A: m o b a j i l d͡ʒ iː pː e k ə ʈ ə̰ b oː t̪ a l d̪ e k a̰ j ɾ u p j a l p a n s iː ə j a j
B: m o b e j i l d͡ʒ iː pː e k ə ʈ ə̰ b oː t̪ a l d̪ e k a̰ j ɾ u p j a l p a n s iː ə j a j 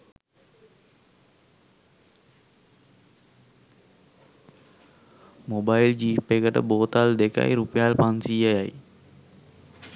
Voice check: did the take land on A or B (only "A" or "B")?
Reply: A